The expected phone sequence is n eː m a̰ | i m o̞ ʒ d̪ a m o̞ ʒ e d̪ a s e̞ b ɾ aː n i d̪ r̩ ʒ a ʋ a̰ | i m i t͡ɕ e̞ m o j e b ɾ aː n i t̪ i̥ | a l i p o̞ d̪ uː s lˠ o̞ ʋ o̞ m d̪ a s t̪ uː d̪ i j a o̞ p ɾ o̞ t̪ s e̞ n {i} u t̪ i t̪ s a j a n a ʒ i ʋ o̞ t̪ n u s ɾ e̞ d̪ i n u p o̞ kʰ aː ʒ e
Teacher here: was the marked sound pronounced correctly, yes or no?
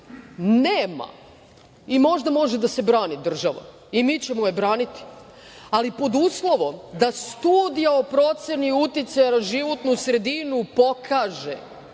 yes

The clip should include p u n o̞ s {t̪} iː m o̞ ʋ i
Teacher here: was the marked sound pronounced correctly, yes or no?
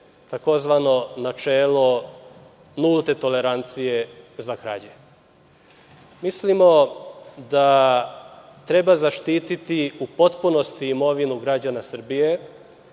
yes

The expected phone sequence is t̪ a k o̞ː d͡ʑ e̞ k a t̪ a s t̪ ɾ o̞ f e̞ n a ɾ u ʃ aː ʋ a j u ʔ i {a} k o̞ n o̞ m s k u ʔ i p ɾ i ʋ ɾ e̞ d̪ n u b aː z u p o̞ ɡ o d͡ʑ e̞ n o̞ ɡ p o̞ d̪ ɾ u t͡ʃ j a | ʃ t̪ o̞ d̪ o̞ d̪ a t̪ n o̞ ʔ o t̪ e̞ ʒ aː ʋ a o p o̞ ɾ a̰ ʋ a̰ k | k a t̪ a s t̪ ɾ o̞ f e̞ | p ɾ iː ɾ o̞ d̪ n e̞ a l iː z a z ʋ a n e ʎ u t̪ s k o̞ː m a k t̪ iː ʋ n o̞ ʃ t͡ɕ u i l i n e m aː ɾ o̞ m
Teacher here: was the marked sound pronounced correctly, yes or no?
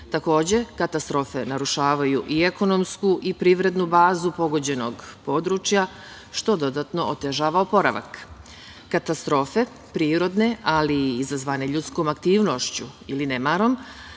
no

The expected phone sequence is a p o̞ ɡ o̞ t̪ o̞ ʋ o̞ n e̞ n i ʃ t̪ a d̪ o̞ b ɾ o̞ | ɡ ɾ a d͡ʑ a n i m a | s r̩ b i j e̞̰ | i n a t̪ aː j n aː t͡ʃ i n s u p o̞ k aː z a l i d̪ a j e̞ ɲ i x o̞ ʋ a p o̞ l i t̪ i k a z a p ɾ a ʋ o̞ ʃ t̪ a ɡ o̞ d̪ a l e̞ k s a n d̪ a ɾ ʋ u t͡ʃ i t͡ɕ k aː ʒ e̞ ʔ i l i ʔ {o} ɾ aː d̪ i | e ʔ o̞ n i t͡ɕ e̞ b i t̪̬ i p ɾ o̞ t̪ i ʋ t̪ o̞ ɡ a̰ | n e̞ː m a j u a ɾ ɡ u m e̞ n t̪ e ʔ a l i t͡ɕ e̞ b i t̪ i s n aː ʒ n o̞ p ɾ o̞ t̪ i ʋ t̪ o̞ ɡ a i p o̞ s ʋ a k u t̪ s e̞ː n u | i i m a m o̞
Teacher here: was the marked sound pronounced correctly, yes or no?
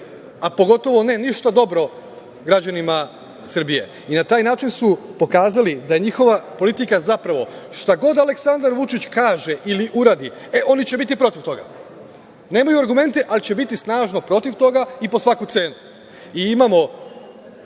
no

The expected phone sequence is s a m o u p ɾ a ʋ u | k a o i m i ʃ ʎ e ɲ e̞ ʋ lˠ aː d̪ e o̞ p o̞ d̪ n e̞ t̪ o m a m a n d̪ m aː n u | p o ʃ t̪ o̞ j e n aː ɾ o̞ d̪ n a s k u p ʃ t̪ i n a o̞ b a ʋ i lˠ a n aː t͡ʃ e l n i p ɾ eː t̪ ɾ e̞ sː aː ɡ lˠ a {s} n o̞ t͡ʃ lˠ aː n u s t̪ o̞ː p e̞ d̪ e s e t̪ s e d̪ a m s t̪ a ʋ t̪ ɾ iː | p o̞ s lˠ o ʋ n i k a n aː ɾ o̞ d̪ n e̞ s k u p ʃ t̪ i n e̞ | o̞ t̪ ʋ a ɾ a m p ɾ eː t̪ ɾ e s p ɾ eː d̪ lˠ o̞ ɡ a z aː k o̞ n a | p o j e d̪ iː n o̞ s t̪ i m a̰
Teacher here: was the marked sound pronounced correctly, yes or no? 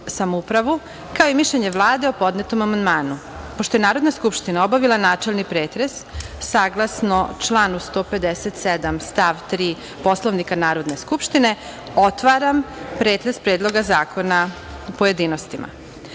yes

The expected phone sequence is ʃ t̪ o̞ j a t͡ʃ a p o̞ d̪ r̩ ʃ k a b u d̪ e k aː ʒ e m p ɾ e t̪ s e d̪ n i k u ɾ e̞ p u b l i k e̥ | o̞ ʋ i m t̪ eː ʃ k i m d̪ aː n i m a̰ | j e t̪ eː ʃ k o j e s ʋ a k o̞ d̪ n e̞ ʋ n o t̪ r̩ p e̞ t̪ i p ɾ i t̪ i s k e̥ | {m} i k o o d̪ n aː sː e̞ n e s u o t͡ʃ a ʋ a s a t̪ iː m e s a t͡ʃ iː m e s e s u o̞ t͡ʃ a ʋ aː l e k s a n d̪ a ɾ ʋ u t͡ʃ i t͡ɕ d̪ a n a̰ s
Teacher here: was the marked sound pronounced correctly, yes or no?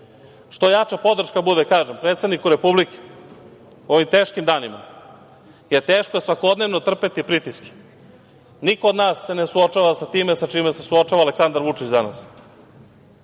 no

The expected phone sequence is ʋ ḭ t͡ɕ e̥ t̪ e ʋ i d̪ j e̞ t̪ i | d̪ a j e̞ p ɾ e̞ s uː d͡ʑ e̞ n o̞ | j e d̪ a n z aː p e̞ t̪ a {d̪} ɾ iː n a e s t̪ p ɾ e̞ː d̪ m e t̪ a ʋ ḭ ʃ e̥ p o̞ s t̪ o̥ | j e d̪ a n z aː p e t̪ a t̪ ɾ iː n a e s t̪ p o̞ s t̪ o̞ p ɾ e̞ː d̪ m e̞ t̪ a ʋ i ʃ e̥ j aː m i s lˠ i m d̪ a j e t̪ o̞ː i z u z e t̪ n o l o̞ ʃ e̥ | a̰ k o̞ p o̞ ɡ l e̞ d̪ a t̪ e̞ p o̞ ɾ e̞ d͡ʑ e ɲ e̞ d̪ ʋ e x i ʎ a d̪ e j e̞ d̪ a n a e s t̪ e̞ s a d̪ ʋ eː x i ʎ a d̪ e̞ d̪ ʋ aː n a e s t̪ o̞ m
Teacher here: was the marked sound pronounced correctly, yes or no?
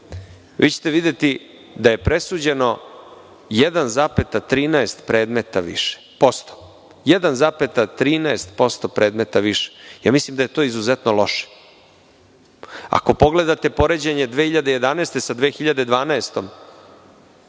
no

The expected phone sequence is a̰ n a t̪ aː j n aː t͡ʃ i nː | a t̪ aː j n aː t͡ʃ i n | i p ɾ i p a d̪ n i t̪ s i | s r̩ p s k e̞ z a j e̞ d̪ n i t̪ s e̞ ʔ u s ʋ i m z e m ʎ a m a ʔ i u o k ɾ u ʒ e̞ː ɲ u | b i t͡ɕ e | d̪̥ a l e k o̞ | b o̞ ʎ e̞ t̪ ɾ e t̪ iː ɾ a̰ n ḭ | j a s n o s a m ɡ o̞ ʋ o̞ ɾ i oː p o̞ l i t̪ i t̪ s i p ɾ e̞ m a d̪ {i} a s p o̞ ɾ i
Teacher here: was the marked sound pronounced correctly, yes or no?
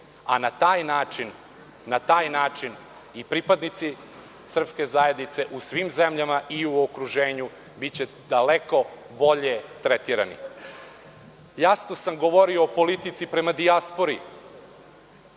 yes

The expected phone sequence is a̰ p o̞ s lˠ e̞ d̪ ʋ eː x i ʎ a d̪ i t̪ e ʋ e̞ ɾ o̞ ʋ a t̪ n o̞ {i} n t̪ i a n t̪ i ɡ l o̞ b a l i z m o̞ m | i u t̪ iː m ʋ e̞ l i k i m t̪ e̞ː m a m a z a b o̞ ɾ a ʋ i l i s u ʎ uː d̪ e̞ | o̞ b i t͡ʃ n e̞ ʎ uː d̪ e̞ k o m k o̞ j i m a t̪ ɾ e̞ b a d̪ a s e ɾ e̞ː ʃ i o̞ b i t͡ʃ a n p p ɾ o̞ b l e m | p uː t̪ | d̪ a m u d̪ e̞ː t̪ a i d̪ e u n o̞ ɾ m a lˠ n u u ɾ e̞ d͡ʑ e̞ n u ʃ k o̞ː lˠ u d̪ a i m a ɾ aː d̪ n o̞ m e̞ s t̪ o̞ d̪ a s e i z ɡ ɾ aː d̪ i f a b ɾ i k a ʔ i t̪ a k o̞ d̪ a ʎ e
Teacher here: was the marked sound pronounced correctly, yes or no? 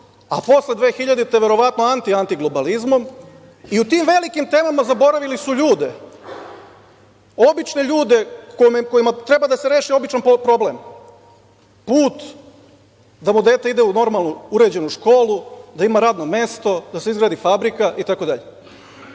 no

